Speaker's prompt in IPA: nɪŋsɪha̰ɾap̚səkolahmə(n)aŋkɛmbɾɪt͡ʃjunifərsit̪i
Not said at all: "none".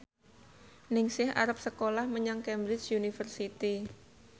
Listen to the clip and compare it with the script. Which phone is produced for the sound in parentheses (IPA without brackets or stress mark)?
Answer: ɲ